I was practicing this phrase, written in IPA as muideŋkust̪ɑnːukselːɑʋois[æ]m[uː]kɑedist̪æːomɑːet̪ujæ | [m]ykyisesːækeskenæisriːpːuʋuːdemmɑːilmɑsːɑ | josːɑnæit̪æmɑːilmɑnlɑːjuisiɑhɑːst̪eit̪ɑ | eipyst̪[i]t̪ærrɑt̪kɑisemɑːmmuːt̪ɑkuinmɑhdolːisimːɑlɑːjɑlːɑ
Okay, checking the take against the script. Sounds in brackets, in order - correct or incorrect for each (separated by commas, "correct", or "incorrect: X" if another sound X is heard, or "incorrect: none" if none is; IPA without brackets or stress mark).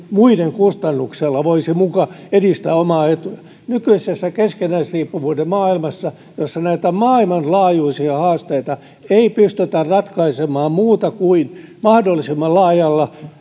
incorrect: i, incorrect: u, incorrect: n, incorrect: y